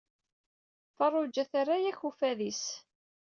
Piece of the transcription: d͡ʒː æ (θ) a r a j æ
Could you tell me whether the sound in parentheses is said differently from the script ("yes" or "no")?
no